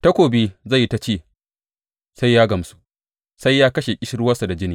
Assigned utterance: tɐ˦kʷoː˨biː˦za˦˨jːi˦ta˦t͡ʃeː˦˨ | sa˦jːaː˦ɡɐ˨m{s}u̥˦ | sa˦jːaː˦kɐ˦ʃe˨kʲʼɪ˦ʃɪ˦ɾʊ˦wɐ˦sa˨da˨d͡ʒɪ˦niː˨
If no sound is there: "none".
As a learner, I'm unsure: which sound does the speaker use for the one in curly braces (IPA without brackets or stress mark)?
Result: s